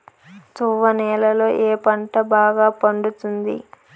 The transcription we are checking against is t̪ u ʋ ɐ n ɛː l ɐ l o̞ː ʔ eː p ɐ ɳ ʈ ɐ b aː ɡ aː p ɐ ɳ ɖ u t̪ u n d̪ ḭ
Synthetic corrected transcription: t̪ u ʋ ɐ n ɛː l ɐ l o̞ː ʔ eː p ɐ ɳ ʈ ɐ b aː ɡ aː p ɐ ɳ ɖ u t̪ u n d̪ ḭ